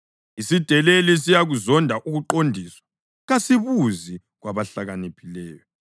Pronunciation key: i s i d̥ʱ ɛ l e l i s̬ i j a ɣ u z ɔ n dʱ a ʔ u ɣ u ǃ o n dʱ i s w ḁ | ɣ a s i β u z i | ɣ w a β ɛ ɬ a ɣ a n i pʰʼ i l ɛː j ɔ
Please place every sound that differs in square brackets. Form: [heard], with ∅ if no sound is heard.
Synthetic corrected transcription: i s i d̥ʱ ɛ l e l i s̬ i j a ɣ u z ɔ n dʱ a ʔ u ɣ u ǃ o n dʱ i s w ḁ | ɣ a s i β u z i | ɣ w a β [a] ɬ a ɣ a n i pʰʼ i l ɛː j ɔ